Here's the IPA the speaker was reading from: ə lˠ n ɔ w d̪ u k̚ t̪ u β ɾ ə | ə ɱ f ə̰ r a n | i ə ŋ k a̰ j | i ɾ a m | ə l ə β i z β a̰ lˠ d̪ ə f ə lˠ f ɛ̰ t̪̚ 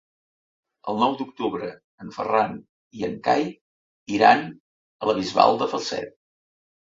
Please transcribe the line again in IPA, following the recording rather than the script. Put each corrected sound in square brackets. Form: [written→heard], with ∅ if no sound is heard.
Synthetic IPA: ə lˠ n ɔ w d̪ u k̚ t̪ u β ɾ ə | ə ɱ f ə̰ r a n | i ə ŋ k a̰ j | i ɾ a [m→n] | ə l ə β i z β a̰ lˠ d̪ ə f ə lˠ [f→s] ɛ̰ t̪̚